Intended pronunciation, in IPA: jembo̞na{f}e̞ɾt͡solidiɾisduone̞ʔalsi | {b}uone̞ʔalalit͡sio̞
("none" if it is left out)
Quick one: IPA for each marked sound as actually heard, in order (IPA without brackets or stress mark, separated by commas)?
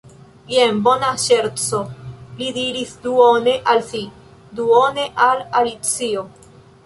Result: ʃ, d